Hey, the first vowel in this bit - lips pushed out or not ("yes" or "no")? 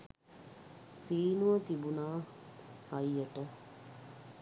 no